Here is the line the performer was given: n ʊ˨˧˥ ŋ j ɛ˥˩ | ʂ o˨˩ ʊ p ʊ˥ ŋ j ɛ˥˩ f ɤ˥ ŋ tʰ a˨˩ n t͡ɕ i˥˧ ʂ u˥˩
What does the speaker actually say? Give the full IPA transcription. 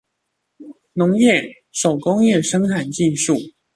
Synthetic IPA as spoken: n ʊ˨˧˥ ŋ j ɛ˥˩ | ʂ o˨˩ ʊ k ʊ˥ ŋ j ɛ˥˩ ʂ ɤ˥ ŋ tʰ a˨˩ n t͡ɕ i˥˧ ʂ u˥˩